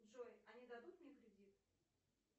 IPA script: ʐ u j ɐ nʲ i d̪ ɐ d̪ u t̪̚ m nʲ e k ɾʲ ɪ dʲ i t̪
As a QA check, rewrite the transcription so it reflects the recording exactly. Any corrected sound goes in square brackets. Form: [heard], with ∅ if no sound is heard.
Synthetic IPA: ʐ [o] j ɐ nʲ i d̪ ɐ d̪ u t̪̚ m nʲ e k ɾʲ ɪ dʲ i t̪